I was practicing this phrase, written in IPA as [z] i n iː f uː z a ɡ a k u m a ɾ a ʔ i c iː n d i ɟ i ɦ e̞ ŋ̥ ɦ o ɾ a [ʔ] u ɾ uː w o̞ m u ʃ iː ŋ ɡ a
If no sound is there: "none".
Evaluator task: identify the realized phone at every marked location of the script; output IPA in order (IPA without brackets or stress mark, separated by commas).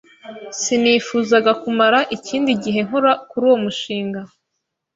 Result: s, k